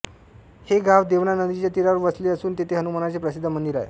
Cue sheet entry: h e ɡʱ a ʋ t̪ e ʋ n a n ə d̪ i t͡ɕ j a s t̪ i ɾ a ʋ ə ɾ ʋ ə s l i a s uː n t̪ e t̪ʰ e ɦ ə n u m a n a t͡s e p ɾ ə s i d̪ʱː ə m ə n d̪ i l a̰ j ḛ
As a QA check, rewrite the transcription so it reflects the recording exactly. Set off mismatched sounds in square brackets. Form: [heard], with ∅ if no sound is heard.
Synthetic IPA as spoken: h e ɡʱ a ʋ [d̪] e ʋ n a n ə d̪ i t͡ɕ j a [∅] t̪ i ɾ a ʋ ə ɾ ʋ ə s l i [ə] s uː n t̪ e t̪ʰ e ɦ ə n u m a n a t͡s e p ɾ ə s i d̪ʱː ə m ə n d̪ i [ɾ] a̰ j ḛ